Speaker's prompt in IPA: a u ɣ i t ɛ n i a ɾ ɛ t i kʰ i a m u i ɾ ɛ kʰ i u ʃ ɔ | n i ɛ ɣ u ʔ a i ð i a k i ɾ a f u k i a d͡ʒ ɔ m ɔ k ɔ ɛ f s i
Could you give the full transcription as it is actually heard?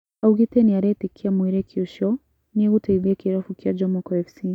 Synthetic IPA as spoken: a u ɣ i t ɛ n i a ɾ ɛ t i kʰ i a m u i ɾ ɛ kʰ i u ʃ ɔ | n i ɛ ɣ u t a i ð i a k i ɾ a f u k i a d͡ʒ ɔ m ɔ k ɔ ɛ f s i